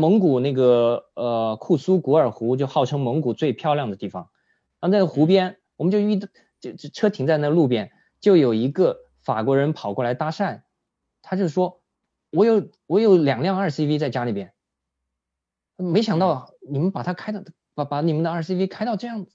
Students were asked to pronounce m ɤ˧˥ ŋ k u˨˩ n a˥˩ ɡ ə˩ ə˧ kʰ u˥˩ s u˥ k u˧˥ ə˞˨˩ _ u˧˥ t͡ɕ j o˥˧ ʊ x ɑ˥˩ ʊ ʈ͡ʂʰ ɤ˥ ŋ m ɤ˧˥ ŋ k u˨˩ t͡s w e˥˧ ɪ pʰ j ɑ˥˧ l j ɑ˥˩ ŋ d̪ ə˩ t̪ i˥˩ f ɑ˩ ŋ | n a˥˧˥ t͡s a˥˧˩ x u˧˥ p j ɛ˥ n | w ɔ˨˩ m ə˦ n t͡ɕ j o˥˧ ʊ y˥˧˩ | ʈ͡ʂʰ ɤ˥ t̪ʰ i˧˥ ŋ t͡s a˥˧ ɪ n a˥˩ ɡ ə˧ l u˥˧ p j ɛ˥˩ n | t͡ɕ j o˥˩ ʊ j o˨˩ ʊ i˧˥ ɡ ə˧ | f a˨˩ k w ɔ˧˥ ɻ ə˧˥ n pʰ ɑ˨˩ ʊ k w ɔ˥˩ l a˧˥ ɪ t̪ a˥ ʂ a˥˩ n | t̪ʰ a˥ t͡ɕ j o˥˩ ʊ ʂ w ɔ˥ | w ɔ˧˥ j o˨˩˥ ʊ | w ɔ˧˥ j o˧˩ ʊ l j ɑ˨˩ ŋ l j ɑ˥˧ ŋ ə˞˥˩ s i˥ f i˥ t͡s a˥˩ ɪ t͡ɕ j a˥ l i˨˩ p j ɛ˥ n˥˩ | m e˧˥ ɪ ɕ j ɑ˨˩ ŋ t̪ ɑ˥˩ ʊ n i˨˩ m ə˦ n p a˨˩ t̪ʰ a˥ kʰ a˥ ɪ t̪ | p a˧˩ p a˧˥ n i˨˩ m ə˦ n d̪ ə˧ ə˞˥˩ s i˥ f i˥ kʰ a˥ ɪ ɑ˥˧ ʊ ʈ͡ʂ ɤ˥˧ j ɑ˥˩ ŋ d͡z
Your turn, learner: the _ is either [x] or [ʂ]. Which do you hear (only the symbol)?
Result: x